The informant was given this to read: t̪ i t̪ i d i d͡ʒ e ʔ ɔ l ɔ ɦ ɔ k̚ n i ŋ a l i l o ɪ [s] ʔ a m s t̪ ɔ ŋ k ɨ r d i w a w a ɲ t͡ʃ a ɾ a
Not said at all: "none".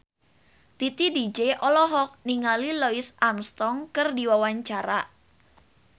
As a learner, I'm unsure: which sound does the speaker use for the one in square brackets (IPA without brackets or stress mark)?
s